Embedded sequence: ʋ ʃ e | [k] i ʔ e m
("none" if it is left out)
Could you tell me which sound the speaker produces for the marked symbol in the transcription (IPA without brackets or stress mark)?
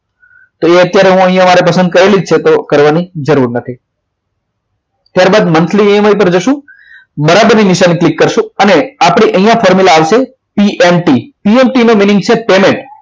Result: p